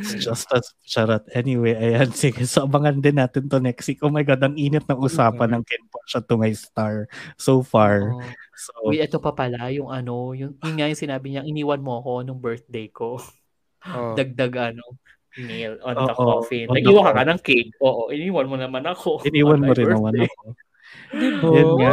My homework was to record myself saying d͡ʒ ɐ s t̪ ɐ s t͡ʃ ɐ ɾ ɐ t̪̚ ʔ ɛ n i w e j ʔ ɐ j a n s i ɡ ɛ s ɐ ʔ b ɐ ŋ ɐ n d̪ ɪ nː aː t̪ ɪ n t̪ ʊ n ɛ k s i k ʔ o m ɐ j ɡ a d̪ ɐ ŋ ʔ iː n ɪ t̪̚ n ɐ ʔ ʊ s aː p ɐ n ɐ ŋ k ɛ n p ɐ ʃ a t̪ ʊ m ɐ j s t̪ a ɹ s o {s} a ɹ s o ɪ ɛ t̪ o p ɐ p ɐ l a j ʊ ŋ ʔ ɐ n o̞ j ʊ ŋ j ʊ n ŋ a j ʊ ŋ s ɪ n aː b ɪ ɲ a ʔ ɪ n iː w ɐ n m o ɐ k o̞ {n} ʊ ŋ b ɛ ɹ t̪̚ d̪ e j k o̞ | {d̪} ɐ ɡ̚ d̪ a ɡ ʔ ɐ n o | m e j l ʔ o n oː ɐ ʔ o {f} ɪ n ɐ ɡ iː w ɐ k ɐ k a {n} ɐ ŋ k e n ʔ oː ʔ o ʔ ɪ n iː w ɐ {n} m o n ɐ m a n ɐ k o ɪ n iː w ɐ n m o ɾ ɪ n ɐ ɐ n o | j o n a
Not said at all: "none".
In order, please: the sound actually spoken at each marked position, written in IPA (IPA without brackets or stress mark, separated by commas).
f, n, d̪, f, n, n